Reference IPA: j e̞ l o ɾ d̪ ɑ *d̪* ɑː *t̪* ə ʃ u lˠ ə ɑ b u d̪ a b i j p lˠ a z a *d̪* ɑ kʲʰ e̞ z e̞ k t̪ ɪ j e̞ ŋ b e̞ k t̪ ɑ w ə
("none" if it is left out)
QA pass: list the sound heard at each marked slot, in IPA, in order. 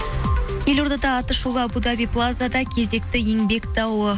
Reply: d̪, t̪, d̪

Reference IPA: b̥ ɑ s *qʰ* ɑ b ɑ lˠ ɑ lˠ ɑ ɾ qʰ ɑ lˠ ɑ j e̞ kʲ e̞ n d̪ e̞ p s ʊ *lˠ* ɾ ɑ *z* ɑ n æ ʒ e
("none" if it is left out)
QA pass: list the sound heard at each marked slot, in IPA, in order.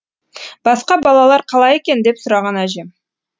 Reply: q, none, ʁ

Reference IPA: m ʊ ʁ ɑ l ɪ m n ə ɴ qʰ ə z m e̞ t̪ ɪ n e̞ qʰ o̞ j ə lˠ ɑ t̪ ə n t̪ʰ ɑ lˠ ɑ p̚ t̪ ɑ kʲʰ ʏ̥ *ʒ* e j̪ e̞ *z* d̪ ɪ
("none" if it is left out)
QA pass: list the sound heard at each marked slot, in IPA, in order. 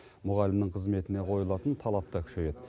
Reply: ʃ, none

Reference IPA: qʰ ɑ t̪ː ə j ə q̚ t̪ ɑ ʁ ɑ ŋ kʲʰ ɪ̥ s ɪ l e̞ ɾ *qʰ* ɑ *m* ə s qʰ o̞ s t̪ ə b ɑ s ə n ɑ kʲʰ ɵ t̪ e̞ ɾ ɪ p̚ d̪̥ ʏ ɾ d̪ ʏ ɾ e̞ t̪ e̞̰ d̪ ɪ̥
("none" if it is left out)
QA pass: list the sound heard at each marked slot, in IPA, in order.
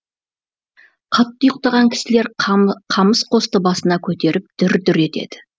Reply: qʰ, m

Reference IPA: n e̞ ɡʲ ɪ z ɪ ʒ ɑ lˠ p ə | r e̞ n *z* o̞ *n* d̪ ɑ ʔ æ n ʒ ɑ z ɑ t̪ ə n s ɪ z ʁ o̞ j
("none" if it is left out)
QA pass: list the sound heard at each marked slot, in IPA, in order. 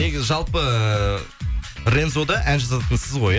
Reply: z, none

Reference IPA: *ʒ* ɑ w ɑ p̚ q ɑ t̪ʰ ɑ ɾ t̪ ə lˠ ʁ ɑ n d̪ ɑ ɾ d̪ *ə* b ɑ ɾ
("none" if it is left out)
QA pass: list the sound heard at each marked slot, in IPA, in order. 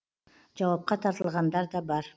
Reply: d͡ʒ, ɑ

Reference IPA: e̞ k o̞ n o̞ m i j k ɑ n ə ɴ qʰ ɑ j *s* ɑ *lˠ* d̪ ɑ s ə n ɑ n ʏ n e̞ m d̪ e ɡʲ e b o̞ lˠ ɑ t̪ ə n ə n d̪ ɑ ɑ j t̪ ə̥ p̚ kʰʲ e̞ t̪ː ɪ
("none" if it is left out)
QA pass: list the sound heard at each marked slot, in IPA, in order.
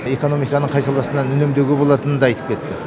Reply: s, lˠ

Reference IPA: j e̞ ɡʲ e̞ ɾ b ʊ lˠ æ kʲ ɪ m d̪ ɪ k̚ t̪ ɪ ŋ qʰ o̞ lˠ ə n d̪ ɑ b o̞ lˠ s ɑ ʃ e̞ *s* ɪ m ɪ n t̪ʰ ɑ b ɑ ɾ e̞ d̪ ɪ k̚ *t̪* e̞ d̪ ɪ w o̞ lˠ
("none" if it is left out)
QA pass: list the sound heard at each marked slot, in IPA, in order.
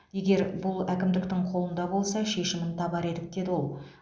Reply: ʃ, d̪

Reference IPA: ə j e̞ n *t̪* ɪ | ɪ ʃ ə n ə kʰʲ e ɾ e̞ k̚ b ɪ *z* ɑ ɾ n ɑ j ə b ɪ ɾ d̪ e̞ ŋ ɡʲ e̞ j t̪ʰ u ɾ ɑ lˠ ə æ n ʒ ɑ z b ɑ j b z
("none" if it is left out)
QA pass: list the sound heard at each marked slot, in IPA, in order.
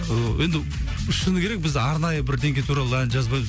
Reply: d̪, z

